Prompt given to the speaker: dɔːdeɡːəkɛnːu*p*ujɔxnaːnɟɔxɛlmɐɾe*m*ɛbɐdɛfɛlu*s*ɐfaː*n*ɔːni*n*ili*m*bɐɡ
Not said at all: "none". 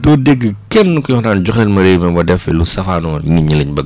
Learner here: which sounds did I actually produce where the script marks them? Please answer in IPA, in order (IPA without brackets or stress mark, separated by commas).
k, m, s, n, ɲ, ɲ